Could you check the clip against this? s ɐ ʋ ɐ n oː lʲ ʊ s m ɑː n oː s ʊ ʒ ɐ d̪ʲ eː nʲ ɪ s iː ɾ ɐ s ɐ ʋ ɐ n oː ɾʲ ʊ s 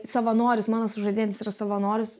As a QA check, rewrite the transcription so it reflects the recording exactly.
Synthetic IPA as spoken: s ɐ ʋ ɐ n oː ɾʲ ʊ s m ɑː n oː s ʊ ʒ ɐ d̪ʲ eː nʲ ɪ s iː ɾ ɐ s ɐ ʋ ɐ n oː ɾʲ ʊ s